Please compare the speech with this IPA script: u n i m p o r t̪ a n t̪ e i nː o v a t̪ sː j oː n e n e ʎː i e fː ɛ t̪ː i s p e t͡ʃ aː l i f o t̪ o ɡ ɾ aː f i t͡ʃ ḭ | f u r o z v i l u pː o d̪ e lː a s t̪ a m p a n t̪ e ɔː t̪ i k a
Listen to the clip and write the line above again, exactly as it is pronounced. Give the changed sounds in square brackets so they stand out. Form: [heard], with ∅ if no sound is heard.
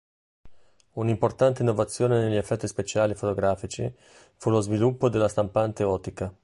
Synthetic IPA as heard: u n i m p o r t̪ a n t̪ e i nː o v a t̪ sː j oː n e n e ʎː i e fː ɛ t̪ː i s p e t͡ʃ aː l i f o t̪ o ɡ ɾ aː f i t͡ʃ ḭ | f u [l] o z v i l u pː o d̪ e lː a s t̪ a m p a n t̪ e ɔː t̪ i k a